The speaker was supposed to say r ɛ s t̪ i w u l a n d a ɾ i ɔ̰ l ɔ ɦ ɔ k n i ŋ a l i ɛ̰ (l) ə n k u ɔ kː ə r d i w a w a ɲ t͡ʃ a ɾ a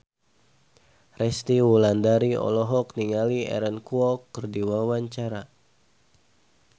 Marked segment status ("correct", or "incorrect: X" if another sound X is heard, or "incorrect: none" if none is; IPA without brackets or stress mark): incorrect: ɾ